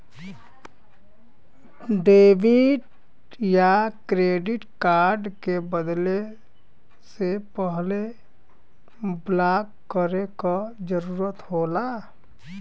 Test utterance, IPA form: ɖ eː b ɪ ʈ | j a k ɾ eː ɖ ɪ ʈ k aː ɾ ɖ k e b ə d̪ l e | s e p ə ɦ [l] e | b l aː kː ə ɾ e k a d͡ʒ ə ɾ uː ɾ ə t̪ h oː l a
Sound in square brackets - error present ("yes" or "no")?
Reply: no